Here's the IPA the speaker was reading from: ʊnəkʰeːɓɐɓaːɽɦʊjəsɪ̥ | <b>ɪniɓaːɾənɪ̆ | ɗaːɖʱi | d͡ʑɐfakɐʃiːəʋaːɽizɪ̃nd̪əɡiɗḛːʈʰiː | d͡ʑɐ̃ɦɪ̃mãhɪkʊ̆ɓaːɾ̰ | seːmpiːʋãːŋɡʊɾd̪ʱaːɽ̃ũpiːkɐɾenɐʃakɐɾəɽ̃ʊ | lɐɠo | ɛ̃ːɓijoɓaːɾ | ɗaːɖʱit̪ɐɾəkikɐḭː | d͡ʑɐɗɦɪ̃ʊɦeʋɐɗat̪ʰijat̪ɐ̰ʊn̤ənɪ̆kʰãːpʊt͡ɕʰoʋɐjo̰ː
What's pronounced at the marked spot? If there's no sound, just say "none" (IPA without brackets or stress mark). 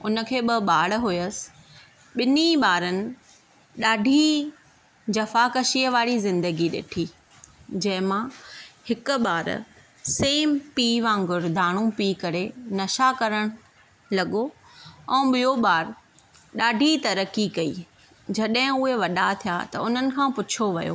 ɓ